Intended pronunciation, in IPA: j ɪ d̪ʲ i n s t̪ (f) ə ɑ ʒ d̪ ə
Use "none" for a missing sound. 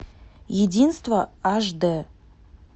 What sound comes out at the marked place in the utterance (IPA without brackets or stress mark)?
v